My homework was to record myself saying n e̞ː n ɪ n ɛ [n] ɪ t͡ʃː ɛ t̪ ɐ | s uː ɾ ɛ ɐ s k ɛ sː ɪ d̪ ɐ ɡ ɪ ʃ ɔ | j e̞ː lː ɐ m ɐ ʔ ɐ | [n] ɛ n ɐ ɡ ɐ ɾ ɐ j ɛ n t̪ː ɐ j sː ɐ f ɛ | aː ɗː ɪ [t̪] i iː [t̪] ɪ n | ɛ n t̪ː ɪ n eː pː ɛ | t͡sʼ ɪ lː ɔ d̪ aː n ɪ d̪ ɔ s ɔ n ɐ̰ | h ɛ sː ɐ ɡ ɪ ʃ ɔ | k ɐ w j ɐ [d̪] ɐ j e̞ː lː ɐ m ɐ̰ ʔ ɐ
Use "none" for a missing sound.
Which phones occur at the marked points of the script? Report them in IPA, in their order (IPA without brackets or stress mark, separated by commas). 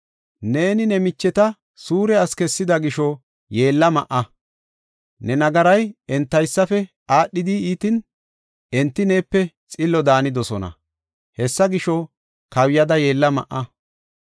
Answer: m, n, d̪, t̪, d̪